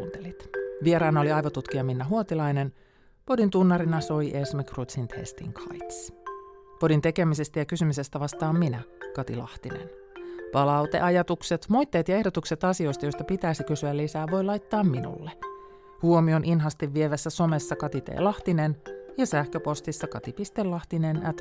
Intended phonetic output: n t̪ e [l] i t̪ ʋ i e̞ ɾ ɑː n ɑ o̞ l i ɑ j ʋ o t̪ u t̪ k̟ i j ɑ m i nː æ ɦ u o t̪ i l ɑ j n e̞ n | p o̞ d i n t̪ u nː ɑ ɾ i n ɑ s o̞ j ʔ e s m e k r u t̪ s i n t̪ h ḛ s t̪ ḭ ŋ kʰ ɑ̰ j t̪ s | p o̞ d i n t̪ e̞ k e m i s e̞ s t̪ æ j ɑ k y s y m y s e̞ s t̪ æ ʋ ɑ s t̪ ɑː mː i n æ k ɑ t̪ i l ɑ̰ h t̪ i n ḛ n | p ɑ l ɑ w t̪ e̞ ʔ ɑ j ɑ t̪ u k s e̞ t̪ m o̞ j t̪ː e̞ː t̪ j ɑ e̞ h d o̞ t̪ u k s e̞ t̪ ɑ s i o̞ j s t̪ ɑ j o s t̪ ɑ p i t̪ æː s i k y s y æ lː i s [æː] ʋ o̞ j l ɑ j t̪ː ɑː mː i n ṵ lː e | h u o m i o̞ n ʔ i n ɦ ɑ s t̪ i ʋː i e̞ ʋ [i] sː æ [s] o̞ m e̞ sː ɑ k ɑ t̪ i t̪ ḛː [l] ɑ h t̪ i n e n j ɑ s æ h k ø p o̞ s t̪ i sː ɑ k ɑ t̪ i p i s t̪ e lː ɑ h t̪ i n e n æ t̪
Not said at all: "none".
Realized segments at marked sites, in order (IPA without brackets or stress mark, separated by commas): l, æː, æ, s, l